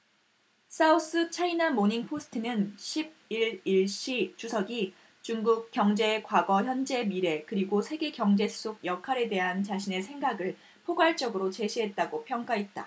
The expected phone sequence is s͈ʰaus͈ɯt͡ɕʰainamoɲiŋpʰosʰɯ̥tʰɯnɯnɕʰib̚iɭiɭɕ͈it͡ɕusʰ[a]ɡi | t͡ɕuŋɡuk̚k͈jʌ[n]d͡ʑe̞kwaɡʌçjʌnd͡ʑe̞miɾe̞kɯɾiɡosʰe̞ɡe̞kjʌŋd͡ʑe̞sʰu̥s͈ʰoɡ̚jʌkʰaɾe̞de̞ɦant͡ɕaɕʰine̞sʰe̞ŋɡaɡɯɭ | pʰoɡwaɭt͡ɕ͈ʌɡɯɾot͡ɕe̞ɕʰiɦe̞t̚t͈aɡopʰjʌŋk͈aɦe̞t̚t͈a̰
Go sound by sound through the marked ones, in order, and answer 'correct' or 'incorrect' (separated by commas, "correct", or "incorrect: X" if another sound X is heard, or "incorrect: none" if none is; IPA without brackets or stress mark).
incorrect: ʌ, incorrect: ŋ